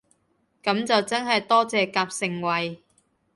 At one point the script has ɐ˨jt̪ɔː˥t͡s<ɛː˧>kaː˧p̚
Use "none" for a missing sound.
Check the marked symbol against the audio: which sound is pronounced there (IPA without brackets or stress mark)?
ɛː˧